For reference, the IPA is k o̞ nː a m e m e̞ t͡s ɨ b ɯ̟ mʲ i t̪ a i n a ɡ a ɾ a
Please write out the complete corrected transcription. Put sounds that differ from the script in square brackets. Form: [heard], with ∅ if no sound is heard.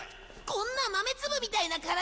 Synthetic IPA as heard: k [õ̞] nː a m [a] m e̞ t͡s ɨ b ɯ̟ mʲ i t̪ a i n a [k] a ɾ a